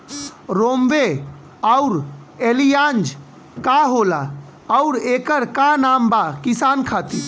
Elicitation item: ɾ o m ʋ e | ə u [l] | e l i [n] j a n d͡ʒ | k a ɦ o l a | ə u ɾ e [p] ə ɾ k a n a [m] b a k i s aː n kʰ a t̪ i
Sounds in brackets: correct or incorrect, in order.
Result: incorrect, incorrect, incorrect, correct

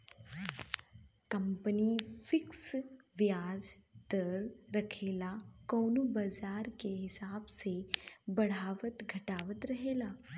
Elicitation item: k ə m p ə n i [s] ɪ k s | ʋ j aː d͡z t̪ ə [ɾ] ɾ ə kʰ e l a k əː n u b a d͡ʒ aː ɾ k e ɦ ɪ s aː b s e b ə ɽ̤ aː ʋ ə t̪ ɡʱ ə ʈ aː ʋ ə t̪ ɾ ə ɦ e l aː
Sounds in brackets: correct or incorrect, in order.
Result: incorrect, correct

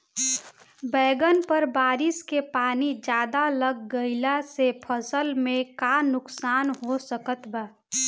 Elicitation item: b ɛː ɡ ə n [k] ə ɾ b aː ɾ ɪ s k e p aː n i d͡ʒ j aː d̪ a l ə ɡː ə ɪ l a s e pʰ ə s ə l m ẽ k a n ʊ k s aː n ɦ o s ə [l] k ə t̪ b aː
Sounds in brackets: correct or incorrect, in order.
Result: incorrect, incorrect

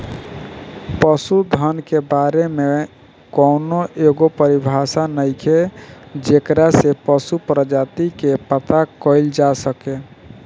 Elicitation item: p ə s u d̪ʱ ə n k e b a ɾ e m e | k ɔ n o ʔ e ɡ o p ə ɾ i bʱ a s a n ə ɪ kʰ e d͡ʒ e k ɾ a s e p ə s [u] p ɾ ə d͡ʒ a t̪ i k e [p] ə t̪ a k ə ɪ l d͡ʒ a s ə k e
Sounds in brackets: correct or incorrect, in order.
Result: correct, correct

